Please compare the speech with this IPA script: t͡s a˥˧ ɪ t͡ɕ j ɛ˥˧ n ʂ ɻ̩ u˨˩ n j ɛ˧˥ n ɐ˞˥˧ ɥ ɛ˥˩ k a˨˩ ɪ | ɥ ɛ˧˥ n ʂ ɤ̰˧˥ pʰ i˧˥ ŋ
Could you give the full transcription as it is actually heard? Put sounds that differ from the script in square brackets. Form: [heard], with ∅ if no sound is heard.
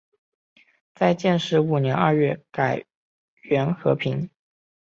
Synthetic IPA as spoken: t͡s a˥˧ ɪ t͡ɕ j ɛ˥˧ n ʂ ɻ̩ u˨˩ n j ɛ˧˥ n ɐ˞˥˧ ɥ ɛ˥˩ k a˨˩ ɪ | ɥ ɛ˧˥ n [x] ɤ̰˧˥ pʰ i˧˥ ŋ